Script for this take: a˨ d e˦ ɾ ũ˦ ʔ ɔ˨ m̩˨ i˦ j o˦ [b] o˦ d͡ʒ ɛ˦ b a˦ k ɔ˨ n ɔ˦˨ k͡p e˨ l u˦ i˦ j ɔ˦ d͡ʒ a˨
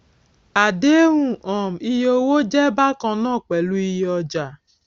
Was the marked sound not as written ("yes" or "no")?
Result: yes